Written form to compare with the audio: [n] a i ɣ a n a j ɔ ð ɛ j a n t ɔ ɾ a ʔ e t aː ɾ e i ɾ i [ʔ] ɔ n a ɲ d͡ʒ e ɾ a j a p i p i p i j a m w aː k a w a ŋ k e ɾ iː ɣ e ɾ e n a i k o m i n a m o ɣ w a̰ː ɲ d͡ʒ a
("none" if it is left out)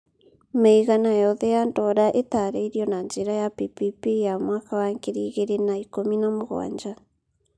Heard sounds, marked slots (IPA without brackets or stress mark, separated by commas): m, none